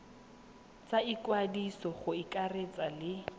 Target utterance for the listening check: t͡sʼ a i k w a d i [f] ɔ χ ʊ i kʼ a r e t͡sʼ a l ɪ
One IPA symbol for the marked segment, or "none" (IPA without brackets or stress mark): s